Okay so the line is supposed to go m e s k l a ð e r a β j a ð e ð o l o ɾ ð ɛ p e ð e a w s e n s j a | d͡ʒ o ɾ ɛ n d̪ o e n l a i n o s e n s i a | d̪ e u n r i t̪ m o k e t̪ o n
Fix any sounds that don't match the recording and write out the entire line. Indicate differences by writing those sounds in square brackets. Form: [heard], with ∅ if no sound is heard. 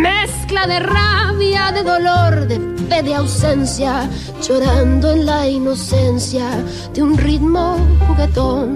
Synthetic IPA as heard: m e s k l a ð e r a β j a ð e ð o l o ɾ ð [e] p e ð e a w s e n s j a | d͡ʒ o ɾ [a] n d̪ o e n l a i n o s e n s [j] a | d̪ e u n r i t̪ m o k e t̪ o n